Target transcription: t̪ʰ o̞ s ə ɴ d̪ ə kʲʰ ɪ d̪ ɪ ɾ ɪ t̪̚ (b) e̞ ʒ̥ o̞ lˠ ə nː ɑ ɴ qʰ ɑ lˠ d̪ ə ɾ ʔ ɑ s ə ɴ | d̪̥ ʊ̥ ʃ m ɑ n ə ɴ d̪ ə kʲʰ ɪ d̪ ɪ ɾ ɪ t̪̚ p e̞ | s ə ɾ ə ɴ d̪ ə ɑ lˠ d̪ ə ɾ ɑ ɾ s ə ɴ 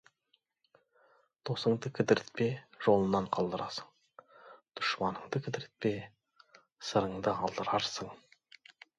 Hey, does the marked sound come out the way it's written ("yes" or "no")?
no